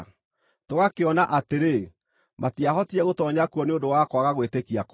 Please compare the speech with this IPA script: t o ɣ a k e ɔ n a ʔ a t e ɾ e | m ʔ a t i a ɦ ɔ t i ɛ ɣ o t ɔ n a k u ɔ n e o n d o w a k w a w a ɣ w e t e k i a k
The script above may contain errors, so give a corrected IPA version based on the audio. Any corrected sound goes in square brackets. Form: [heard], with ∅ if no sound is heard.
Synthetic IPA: t o ɣ a k e ɔ n a ʔ a t e ɾ e | m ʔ a t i a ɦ ɔ t i ɛ ɣ o t ɔ [ɲ] a k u ɔ n e o n d o w a k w a [ɣ] a ɣ w e t e k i a k